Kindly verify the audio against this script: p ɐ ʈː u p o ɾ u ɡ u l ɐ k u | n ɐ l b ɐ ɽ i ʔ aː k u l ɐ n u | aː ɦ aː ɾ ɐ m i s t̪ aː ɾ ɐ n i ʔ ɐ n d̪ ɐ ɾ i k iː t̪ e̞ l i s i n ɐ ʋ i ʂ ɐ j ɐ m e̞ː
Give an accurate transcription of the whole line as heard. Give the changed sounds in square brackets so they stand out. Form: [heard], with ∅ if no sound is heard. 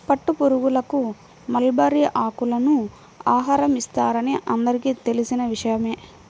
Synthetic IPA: p ɐ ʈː u p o ɾ u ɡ u l ɐ k u | [m] ɐ l b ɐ [ɾ] i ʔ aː k u l ɐ n u | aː ɦ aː ɾ ɐ m i s t̪ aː ɾ ɐ n i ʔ ɐ n d̪ ɐ ɾ i k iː t̪ e̞ l i s i n ɐ ʋ i ʂ ɐ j ɐ m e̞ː